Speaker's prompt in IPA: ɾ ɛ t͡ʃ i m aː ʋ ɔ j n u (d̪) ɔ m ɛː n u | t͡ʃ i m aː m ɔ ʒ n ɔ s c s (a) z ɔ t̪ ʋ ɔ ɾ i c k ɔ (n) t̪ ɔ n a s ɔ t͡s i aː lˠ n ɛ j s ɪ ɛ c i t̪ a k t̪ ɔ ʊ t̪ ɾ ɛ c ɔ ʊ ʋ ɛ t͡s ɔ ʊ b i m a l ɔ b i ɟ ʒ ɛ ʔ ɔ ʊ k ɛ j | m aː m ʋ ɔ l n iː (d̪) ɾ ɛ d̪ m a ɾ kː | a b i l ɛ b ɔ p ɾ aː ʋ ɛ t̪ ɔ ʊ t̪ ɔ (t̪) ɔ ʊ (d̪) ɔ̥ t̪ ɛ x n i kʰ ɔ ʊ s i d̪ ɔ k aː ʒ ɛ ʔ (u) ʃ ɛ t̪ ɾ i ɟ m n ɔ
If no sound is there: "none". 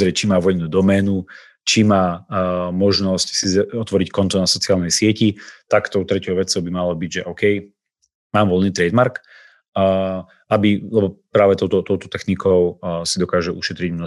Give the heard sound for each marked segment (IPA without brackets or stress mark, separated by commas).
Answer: d̪, i, n, t̪, t̪, t̪, u